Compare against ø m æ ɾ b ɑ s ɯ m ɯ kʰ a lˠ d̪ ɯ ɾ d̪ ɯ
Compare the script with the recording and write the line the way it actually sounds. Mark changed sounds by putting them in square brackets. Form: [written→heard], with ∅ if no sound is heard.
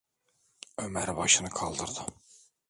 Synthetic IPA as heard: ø m æ ɾ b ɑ [s→ʃ] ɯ [m→n] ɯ kʰ [a→ɑ] lˠ d̪ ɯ ɾ d̪ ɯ